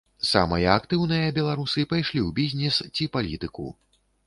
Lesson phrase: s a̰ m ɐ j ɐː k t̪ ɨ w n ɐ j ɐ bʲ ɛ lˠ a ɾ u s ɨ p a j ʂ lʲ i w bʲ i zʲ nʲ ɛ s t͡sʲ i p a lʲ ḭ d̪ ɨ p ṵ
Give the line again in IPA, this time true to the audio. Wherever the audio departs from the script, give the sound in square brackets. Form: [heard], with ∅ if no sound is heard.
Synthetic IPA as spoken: s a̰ m ɐ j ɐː k t̪ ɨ w n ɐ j ɐ bʲ ɛ lˠ a ɾ u s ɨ p a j ʂ lʲ i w bʲ i zʲ nʲ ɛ s t͡sʲ i p a lʲ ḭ [t̪] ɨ [k] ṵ